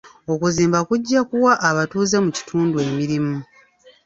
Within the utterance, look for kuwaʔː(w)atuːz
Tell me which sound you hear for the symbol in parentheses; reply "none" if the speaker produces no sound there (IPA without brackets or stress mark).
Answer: β